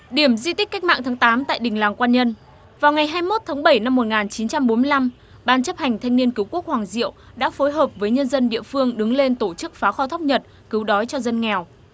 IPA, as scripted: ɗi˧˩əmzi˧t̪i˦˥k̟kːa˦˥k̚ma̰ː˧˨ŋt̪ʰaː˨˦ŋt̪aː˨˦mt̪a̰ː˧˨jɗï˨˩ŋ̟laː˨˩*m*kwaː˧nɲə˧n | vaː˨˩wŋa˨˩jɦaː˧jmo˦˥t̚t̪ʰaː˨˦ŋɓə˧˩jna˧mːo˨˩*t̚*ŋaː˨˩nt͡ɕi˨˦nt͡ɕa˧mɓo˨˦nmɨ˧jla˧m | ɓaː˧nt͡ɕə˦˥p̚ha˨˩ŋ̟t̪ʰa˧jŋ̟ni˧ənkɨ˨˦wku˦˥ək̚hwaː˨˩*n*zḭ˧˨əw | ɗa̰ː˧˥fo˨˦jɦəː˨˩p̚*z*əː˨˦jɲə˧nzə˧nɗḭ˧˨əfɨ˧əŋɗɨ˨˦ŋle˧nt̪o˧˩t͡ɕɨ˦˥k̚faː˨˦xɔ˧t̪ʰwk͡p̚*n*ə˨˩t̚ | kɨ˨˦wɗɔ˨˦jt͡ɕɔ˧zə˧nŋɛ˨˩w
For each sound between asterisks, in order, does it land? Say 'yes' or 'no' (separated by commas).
no, yes, no, no, no